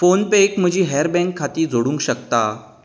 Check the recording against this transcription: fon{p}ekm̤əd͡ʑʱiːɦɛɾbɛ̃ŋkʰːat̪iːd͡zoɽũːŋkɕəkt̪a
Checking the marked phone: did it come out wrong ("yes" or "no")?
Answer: no